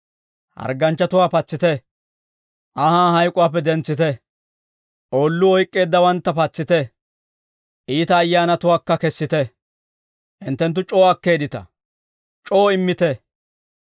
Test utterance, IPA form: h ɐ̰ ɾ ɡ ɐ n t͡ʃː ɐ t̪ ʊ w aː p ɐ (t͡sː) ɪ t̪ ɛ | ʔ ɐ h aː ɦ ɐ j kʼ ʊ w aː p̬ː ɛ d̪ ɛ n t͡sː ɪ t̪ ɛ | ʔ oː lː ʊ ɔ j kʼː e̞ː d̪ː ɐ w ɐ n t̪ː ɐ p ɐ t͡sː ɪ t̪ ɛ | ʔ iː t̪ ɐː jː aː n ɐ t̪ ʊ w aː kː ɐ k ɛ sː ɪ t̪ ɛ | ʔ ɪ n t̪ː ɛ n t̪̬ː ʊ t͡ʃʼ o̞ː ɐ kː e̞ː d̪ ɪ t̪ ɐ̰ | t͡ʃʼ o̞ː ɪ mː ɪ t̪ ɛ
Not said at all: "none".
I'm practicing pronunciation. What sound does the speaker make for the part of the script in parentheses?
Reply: t͡sː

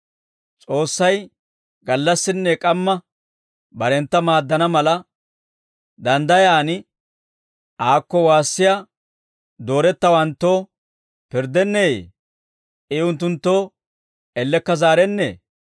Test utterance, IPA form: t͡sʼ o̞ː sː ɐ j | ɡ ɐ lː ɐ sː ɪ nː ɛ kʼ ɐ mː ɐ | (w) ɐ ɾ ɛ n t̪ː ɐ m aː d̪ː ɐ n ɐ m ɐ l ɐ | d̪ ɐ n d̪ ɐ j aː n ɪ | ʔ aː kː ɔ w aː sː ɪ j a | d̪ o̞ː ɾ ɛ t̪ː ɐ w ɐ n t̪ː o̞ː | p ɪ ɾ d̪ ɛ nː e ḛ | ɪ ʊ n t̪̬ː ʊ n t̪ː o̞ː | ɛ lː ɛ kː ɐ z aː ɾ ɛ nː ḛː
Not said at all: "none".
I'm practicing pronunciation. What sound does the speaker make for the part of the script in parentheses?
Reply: b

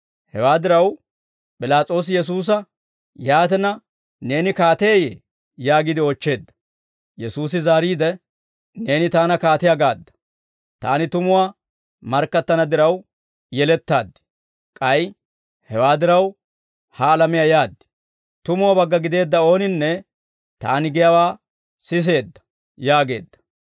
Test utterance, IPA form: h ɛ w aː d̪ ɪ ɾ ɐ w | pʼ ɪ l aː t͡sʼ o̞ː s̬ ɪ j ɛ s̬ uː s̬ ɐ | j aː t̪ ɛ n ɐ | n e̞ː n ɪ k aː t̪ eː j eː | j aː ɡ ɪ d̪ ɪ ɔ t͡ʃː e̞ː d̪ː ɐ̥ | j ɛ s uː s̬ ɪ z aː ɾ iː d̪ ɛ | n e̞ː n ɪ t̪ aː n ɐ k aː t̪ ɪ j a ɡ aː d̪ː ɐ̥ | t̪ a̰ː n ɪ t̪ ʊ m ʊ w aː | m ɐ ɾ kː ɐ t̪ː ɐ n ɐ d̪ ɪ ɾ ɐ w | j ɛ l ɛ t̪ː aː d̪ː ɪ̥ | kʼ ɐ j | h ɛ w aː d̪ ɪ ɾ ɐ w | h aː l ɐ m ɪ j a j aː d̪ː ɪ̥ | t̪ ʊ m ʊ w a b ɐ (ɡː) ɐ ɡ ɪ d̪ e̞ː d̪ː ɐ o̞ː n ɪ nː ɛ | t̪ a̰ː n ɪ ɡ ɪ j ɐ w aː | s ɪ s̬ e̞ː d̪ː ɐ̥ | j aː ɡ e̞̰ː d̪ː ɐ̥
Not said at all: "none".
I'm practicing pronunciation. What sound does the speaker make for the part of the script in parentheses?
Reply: ɡː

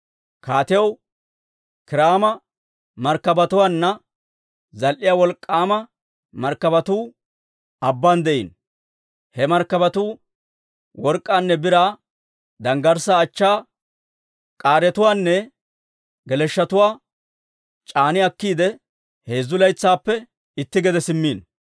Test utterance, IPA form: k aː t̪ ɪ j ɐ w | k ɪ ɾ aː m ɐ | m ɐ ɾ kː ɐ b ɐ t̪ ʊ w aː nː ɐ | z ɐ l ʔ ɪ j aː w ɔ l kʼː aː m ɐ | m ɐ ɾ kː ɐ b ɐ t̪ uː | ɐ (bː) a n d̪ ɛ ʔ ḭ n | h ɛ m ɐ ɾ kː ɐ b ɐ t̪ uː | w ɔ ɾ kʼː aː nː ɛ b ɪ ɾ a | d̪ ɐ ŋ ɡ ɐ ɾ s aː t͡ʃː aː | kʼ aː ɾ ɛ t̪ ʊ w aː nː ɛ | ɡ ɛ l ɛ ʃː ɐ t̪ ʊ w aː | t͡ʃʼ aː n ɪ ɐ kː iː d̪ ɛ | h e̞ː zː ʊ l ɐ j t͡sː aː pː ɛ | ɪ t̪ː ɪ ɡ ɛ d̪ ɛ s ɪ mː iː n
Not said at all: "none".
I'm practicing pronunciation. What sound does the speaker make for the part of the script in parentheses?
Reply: bː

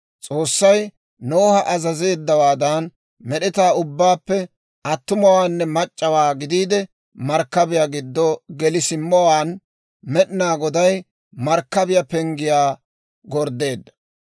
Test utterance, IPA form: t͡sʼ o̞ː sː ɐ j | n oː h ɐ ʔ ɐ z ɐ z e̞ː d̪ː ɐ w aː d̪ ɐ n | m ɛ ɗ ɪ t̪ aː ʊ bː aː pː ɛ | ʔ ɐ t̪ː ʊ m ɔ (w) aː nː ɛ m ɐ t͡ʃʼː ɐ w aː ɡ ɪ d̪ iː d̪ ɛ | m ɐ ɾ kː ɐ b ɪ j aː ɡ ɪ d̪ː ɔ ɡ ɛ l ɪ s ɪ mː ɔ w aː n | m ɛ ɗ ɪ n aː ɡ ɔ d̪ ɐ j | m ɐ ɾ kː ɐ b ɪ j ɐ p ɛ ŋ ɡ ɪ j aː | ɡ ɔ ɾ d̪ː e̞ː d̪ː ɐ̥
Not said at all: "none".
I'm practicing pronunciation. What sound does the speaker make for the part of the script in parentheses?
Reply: w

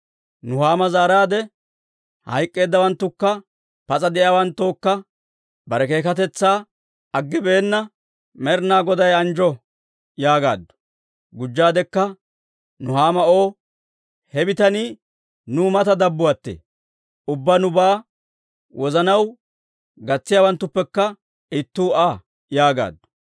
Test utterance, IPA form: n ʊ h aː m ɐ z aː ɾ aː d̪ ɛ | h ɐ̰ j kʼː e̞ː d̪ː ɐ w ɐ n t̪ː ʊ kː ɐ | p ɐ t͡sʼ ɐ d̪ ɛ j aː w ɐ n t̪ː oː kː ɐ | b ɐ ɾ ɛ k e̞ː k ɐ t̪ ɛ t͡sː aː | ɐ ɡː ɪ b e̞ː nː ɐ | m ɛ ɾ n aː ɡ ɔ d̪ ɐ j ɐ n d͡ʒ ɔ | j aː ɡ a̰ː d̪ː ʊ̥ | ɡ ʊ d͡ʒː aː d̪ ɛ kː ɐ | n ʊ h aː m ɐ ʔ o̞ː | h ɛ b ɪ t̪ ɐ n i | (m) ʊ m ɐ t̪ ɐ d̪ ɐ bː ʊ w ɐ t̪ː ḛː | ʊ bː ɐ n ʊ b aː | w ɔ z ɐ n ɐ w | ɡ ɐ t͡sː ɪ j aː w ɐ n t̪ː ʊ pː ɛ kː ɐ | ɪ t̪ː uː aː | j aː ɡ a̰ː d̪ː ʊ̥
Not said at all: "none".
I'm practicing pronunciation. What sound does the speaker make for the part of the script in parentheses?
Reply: n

